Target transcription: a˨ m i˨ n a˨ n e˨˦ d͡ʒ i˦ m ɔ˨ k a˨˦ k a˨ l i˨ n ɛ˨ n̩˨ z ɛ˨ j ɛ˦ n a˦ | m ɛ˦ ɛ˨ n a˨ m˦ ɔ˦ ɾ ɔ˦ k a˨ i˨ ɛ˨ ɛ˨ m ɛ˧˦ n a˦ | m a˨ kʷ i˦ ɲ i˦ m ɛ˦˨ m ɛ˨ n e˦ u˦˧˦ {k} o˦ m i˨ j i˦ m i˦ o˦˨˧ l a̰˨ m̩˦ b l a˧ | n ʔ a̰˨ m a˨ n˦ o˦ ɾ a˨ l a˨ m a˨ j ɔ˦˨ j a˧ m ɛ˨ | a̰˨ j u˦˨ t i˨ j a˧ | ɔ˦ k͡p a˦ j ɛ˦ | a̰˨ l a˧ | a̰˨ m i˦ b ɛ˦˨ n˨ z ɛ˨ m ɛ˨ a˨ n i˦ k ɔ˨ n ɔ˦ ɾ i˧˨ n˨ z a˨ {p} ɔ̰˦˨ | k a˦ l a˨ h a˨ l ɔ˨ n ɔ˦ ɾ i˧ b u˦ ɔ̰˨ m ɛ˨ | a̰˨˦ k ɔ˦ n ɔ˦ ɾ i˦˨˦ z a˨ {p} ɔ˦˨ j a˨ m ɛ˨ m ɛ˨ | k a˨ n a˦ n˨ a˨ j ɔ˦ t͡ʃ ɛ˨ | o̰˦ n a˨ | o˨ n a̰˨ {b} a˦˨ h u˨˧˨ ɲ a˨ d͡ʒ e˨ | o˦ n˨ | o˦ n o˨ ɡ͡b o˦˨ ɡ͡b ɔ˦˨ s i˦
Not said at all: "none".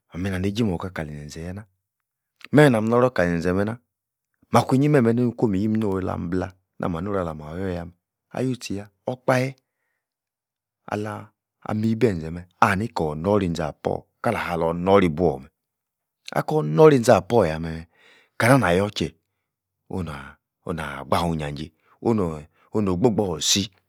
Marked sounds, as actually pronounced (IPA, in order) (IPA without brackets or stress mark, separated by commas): k, p, p, ɡ͡b